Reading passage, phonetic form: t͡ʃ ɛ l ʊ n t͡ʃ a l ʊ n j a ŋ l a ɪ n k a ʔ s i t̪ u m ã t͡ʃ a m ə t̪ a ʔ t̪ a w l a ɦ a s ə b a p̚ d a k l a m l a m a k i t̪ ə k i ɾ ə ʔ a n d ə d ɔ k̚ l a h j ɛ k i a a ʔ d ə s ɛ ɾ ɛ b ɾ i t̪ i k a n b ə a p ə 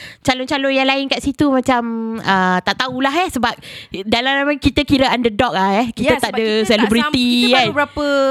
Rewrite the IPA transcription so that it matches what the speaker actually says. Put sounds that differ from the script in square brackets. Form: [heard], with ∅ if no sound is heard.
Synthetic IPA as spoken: t͡ʃ [a] l ʊ n t͡ʃ a l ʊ n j a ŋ l a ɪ n k a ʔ s i t̪ u m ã t͡ʃ a m ə t̪ a ʔ t̪ a [u] l a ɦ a s ə b a p̚ d a [∅] l a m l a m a k i t̪ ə k i ɾ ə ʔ a n d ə d ɔ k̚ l a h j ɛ k i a a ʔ d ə s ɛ [l] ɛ b ɾ i t̪ i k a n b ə a p ə